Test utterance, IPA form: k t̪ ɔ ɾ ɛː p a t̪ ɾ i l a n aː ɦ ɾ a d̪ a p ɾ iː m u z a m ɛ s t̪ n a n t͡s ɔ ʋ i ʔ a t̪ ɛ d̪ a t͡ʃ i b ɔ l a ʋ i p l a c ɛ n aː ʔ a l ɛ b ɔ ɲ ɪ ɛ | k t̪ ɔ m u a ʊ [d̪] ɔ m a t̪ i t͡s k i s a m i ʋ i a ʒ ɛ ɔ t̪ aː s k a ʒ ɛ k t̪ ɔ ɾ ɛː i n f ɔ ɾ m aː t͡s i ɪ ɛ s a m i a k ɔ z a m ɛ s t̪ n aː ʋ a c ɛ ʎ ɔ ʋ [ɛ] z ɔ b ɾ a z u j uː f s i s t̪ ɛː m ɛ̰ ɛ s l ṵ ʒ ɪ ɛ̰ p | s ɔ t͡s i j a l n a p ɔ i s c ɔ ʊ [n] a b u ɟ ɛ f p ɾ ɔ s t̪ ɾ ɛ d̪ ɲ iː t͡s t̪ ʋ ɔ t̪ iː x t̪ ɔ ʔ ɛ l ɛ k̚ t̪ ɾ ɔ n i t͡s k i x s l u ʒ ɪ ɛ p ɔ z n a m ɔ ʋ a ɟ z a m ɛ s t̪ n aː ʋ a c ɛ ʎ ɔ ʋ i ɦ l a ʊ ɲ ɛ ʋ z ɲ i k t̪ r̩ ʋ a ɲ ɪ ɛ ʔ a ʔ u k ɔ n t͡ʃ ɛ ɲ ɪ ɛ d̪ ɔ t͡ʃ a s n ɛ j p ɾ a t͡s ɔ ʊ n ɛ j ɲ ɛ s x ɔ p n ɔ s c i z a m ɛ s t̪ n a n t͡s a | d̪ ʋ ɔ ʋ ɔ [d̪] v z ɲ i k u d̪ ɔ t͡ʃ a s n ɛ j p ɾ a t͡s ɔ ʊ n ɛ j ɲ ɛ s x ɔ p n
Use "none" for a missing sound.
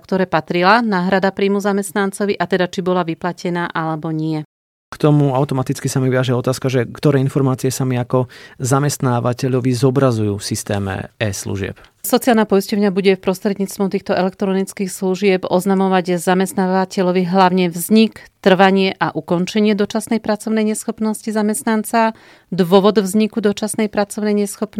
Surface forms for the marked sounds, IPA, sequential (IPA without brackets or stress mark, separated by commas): t̪, i, ɲ, d̪